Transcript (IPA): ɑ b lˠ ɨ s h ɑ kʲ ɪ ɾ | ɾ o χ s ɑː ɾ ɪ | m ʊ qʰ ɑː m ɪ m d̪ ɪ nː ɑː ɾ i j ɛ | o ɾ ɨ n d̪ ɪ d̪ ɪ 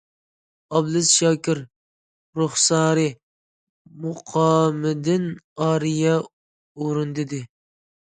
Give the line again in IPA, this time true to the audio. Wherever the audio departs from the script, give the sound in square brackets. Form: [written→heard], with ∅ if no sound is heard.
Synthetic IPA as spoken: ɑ b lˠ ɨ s [h→ʃ] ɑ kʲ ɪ ɾ | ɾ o χ s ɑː ɾ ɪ | m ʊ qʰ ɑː m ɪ [m→∅] d̪ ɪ [nː→n] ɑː ɾ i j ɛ | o ɾ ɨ n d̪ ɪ d̪ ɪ